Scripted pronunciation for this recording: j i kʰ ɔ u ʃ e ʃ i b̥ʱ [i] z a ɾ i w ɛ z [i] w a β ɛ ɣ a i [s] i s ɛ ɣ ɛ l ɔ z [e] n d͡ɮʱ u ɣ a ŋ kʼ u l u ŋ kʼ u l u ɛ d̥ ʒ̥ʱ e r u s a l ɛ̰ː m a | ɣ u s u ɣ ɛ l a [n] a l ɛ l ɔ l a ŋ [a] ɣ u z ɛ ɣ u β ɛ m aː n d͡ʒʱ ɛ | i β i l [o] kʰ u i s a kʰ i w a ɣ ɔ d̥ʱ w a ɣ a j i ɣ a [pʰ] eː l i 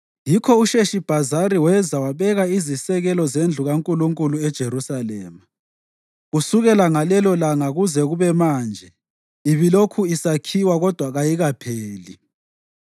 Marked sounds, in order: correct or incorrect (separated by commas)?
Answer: incorrect, incorrect, incorrect, correct, incorrect, correct, correct, correct